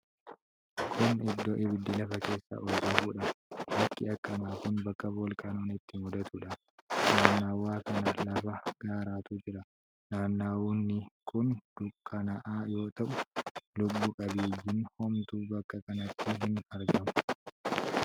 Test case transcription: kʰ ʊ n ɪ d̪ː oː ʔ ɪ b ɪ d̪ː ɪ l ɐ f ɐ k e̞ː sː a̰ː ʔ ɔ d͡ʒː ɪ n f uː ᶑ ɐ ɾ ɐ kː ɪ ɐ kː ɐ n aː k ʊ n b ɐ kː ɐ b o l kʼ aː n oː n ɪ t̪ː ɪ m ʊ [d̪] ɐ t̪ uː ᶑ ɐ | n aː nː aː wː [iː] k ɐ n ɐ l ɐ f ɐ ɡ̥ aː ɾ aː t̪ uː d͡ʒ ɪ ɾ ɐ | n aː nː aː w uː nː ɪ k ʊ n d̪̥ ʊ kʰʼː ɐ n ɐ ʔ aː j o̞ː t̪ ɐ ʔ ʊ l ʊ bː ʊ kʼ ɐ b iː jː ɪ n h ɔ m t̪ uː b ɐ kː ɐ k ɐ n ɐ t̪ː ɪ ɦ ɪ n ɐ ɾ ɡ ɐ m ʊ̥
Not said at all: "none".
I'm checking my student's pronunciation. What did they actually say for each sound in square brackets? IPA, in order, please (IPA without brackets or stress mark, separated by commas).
d̪, aː